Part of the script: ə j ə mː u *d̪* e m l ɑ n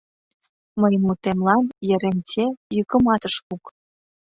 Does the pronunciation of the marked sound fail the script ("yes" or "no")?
yes